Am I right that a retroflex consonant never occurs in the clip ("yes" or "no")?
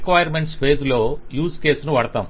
no